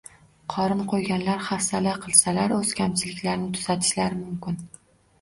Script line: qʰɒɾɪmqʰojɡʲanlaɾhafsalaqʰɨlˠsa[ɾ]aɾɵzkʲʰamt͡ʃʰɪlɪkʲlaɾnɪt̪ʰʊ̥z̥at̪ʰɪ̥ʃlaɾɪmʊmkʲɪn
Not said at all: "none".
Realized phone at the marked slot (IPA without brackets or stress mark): l